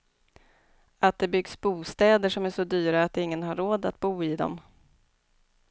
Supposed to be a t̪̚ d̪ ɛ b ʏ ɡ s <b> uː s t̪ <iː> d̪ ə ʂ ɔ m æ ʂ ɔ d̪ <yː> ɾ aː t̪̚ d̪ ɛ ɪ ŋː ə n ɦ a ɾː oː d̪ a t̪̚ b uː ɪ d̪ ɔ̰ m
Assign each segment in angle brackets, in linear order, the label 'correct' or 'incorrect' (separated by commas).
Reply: correct, incorrect, correct